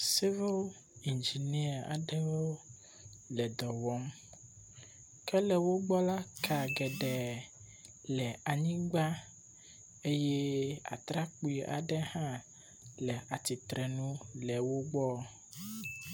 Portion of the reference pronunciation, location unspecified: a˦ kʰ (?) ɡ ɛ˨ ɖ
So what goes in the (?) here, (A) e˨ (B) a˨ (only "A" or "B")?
B